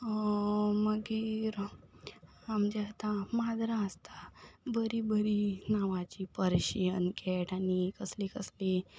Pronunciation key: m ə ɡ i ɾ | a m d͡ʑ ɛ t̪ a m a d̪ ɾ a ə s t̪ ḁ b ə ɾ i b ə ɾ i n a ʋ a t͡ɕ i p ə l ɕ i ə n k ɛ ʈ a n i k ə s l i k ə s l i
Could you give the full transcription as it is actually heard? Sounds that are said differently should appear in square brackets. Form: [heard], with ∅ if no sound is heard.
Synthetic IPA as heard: m ə ɡ i ɾ | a m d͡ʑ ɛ t̪ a m a d̪ ɾ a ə s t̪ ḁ b ə ɾ i b ə ɾ i n a ʋ a t͡ɕ i p ə [ɾ] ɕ i ə n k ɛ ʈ a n i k ə s l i k ə s l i